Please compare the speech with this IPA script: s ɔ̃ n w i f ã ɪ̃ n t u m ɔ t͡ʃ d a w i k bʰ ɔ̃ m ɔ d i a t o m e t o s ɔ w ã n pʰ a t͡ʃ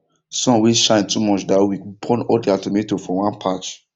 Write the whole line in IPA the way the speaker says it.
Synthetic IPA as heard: s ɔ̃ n w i ʃ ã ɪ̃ n t u m ɔ t͡ʃ d a w i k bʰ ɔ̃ n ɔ d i a t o m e t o f ɔ w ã n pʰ a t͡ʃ